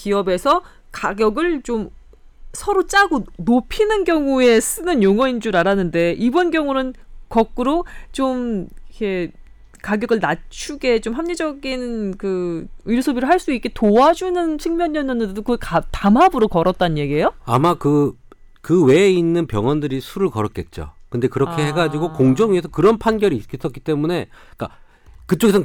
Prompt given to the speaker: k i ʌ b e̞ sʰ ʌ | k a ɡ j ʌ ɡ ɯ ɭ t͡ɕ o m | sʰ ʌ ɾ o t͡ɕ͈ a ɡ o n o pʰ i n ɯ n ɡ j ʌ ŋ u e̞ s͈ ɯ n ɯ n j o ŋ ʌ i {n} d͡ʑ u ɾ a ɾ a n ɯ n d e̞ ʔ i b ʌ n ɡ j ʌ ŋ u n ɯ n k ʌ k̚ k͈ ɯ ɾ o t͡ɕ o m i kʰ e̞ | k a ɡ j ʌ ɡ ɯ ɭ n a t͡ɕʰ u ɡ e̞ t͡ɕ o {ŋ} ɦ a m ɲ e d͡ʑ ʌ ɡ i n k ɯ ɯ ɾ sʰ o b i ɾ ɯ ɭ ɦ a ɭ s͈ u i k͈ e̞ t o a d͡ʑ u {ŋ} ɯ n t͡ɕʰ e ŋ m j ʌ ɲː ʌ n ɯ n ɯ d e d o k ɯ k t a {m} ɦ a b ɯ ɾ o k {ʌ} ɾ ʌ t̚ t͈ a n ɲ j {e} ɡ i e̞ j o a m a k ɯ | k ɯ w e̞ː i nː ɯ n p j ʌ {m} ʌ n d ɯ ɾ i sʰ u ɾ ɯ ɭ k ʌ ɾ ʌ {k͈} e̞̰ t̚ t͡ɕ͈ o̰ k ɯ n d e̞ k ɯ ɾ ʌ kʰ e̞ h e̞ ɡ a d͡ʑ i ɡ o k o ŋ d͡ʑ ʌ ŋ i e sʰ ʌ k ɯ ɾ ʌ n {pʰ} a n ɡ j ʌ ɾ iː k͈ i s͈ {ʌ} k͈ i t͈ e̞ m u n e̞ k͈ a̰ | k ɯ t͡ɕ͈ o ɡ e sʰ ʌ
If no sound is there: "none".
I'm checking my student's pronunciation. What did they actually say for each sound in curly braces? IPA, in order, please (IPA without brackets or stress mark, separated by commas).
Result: n, m, n, m, ʌ, e, ŋ, k͈, pʰ, ʌ